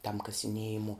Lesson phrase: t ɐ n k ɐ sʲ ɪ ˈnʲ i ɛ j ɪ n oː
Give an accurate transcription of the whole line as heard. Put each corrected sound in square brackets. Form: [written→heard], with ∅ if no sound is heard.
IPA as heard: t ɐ [n→m] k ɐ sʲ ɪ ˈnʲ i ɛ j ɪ [n→m] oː